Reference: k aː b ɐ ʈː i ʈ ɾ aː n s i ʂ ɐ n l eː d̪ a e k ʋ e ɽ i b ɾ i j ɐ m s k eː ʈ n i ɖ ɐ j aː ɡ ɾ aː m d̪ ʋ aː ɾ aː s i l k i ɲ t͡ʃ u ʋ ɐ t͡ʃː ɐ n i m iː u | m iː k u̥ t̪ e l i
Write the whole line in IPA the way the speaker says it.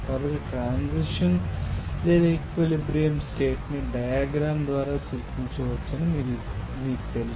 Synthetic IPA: k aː b ɐ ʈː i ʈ ɾ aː n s i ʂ ɐ n l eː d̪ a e k ʋ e l i b ɾ i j ɐ m s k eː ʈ n i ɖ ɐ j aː ɡ ɾ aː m d̪ ʋ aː ɾ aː s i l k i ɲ t͡ʃ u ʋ ɐ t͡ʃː ɐ n i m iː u | m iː k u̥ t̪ e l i